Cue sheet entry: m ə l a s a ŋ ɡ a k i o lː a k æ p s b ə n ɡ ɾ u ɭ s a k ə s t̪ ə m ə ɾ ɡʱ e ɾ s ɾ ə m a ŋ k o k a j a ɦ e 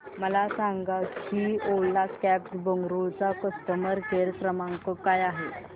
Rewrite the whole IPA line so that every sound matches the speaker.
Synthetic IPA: m ə l a s a ŋ ɡ a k i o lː a k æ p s b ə ŋ ɡ ɾ u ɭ t͡s a k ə s t̪ ə m ə ɾ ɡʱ e ɾ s ɾ ə m a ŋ k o k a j a ɦ e

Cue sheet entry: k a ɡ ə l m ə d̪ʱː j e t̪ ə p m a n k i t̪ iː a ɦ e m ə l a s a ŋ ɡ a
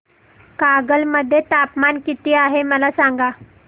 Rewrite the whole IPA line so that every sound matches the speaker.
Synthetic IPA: k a ɡ ə l m ə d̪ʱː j e t̪ a p m a n k i t̪ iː a ɦ e m ə l a s a ŋ ɡ a

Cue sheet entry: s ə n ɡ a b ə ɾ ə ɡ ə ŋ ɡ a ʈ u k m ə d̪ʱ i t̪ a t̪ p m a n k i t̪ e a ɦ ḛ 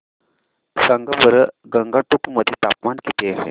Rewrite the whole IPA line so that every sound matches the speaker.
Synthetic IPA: s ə ŋ ɡ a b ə ɾ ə ɡ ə ŋ ɡ a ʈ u k m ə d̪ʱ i t̪ a p m a n k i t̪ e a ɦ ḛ

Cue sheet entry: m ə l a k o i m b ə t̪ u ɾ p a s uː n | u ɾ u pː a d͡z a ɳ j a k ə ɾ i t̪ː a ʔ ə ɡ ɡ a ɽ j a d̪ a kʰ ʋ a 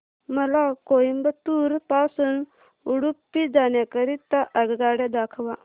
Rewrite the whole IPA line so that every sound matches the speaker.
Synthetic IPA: m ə l a k o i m b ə t̪ u ɾ p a s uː n | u ɽ u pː i d͡z a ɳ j a k ə ɾ i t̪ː a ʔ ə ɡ ɡ a ɽ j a d̪ a kʰ ʋ a

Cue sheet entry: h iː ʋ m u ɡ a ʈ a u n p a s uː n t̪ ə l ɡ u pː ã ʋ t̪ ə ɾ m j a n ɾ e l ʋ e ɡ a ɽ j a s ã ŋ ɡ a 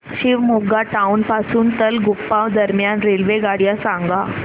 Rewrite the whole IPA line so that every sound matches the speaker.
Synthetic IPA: ɕ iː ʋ m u ɡ a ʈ a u n p a s uː n t̪ ə l ɡ u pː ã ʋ d̪ ə ɾ m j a n ɾ e l ʋ e ɡ a ɽ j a s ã ŋ ɡ a

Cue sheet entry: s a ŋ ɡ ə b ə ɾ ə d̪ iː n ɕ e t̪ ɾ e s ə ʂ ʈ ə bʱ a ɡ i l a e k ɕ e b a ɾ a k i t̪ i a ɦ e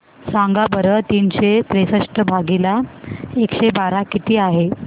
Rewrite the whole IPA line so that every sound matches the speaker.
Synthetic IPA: s a ŋ ɡ a b ə ɾ ə t̪ iː n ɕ e t̪ ɾ e s ə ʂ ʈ ə bʱ a ɡ i l a e k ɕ e b a ɾ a k i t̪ iː a ɦ e

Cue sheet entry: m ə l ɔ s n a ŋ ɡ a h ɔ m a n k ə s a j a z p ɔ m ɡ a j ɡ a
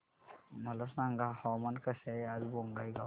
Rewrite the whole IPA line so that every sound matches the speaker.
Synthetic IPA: m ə l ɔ s n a ŋ ɡ a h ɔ m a n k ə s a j a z b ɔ ŋ ɡ a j ɡ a

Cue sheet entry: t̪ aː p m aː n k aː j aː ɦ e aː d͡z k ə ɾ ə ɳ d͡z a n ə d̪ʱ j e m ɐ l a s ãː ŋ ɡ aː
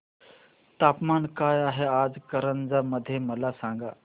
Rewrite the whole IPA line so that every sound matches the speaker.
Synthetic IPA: t̪ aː p m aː n k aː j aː ɦ e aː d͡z k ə ɾ ə n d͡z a m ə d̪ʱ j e m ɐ l a s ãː ŋ ɡ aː

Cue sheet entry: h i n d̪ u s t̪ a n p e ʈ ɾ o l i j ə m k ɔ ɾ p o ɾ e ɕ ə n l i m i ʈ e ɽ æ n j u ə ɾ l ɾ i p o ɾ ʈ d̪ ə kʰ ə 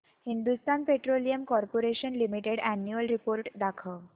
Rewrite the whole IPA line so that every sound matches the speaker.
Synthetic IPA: h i n d̪ u s t̪ a n p e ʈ ɾ o l i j ə m k ɔ ɾ p o ɾ e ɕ ə n l i m i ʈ e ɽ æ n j u ə l ɾ i p o ɾ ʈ d̪ a kʰ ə

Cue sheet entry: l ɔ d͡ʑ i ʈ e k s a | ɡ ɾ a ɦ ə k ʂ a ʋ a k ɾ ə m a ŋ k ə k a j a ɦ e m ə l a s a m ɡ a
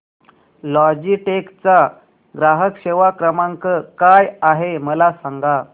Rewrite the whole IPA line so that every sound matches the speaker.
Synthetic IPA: l ɔ d͡ʑ i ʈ e k t͡s a | ɡ ɾ a ɦ ə k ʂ e ʋ a k ɾ ə m a ŋ k ə k a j a ɦ e m ə l a s a ŋ ɡ a

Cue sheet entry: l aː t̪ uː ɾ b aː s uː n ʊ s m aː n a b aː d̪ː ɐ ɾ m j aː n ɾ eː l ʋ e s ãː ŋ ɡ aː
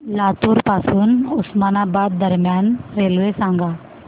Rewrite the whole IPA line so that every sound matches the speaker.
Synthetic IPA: l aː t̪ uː ɾ p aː s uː n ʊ s m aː n a b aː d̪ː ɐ ɾ m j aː n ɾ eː l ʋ e s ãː ŋ ɡ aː

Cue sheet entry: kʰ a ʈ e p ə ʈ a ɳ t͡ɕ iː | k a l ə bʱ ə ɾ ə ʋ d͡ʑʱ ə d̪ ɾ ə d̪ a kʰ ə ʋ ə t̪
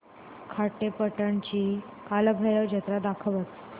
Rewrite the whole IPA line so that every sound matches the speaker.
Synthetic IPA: kʰ a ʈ e p ə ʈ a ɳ t͡ɕ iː | k a l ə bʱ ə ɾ ə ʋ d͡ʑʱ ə t̪ ɾ a d̪ a kʰ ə ʋ ə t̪

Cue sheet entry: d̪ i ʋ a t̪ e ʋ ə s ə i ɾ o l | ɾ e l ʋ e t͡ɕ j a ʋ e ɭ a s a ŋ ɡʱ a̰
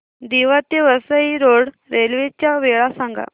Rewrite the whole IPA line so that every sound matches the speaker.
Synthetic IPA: d̪ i ʋ a t̪ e ʋ ə s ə i ɾ o ɽ | ɾ e l ʋ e t͡ɕ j a ʋ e ɭ a s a ŋ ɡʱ a̰

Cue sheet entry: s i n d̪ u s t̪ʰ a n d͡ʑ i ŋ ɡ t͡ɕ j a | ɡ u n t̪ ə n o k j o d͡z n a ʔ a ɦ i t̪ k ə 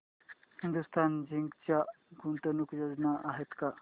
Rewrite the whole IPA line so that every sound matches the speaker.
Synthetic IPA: h i n d̪ u s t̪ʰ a n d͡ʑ i ŋ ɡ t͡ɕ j a | ɡ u n t̪ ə n u k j o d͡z n a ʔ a ɦ e t̪ k a

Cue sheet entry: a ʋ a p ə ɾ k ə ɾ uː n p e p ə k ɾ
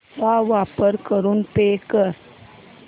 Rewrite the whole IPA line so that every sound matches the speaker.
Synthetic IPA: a ʋ a p ə ɾ k ə ɾ uː n p e k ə ɾ

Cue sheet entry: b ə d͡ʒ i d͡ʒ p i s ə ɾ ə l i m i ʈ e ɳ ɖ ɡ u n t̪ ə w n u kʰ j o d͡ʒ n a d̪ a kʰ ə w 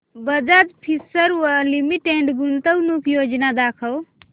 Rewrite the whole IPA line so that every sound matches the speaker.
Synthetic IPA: b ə d͡ʒ a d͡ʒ pʰ i s ə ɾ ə l i m i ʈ e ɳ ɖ ɡ u n t̪ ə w n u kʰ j o d͡ʒ n a d̪ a kʰ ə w

